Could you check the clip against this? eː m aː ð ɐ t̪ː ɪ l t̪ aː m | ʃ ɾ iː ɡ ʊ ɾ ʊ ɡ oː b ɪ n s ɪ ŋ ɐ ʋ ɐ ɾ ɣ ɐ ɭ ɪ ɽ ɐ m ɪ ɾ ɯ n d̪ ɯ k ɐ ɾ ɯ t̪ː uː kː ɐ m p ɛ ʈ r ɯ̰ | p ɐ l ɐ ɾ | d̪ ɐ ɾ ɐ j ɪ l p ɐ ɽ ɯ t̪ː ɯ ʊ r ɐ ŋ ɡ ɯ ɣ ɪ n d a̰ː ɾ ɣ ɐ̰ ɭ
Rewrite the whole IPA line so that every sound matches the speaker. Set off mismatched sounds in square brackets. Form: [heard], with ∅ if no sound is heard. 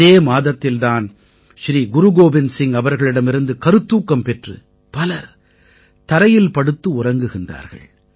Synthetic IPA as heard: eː m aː ð ɐ t̪ː ɪ l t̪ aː [n] | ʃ ɾ iː ɡ ʊ ɾ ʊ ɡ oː b ɪ n s ɪ ŋ ɐ ʋ ɐ ɾ ɣ ɐ ɭ ɪ ɽ ɐ m ɪ ɾ ɯ n d̪ ɯ k ɐ ɾ ɯ t̪ː uː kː ɐ m p ɛ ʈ r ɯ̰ | p ɐ l ɐ ɾ | [t̪] ɐ ɾ ɐ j ɪ l p ɐ ɽ ɯ t̪ː ɯ ʊ r ɐ ŋ ɡ ɯ ɣ ɪ n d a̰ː ɾ ɣ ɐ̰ ɭ